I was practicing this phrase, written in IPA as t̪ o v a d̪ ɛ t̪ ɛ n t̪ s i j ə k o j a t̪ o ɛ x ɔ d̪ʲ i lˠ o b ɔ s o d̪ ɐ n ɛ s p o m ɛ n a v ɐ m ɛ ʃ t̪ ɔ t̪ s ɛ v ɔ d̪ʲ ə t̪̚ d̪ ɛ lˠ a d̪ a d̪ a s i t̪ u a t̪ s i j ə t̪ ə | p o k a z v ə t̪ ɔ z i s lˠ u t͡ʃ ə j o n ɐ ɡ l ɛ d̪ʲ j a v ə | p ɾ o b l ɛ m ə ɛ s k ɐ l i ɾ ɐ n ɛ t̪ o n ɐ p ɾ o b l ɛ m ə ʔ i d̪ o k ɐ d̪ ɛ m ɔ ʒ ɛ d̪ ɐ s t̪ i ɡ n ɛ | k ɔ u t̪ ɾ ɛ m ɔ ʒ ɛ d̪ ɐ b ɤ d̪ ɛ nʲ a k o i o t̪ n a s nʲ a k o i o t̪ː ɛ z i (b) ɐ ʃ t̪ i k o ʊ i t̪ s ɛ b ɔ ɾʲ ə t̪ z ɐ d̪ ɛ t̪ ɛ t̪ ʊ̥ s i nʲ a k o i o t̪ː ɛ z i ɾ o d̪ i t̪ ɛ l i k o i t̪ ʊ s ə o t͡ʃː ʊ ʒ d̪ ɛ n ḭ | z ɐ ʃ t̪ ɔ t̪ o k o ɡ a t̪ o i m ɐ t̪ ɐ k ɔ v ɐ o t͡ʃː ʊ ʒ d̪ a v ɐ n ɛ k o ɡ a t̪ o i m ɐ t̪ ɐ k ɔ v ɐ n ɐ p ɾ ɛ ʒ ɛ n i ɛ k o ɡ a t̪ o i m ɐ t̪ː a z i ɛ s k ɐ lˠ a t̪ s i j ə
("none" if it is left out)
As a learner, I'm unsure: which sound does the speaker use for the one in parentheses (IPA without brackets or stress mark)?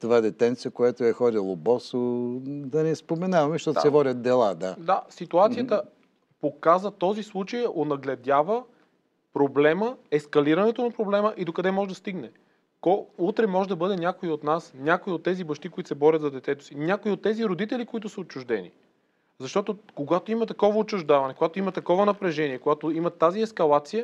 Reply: b